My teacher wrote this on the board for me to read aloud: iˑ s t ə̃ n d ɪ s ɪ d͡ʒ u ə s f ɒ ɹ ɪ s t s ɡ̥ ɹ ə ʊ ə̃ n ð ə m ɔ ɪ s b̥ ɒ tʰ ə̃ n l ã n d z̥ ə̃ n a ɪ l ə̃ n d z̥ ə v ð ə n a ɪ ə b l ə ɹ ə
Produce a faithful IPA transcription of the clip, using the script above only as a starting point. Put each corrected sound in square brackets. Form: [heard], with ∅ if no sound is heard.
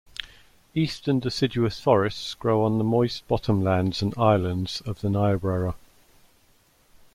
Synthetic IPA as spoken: iˑ s t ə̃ n d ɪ s ɪ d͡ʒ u ə s f ɒ ɹ ɪ s t s ɡ̥ ɹ ə ʊ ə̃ n ð ə m ɔ ɪ s b̥ ɒ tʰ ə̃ [m] l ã n d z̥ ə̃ n a ɪ l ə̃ n d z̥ ə v ð ə n a ɪ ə b [ɹ] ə ɹ ə